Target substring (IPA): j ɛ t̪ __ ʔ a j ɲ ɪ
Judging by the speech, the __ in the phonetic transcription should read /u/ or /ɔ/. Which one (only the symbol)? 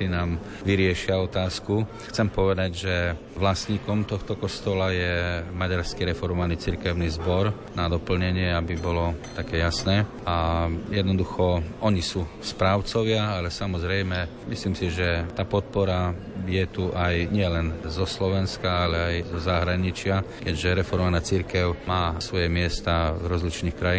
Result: u